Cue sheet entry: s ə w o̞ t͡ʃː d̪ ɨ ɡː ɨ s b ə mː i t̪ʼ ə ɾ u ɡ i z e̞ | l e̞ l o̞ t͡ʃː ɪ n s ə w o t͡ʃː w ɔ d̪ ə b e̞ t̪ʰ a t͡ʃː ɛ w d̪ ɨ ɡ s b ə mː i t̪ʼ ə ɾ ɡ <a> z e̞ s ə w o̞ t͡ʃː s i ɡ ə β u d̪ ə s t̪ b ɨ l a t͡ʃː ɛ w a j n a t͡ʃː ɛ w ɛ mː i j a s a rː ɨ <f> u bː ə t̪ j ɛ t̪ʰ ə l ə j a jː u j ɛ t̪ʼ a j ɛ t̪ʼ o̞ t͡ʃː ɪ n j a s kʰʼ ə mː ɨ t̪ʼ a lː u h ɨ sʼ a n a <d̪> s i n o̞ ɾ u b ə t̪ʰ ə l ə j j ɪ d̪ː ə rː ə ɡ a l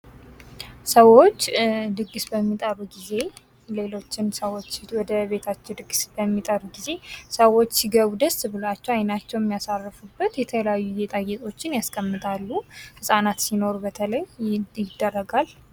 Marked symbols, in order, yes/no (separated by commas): no, yes, no